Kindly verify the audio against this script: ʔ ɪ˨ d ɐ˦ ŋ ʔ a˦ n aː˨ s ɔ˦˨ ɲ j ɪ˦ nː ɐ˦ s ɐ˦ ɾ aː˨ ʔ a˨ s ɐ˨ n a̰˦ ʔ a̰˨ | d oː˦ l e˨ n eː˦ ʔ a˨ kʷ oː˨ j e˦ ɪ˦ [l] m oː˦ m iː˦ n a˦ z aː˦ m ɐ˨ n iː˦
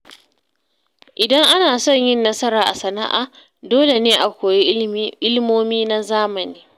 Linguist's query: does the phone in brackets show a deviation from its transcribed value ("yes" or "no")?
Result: no